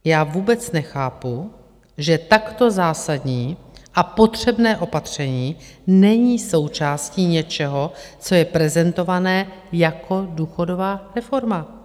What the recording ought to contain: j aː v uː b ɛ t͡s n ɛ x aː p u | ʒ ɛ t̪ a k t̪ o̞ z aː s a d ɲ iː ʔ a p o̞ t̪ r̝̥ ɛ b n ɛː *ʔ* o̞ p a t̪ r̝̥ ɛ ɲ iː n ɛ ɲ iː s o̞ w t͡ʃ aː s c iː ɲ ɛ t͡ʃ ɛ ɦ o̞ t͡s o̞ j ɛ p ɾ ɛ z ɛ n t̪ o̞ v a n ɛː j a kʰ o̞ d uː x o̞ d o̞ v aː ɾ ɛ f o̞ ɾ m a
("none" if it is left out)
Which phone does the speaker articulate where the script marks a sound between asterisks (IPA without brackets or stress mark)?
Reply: ʔ